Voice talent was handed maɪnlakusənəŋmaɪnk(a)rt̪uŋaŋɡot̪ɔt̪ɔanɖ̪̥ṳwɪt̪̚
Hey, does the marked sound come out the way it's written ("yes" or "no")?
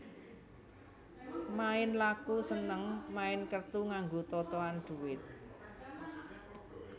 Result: no